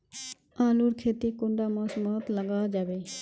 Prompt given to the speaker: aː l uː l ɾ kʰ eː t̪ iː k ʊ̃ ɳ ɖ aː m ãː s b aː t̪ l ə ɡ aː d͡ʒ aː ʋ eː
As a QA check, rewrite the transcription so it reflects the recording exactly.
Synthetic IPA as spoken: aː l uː ɾ kʰ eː t̪ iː k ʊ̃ ɳ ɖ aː m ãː s m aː t̪ l ə ɡ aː d͡ʒ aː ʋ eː